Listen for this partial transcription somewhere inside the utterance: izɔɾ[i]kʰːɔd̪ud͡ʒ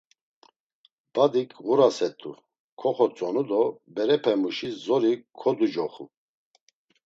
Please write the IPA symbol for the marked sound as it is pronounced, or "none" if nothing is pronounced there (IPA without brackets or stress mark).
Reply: i